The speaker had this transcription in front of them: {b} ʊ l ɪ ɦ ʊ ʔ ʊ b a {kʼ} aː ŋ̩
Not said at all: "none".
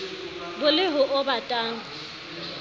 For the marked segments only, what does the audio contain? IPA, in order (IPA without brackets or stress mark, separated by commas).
b, tʼ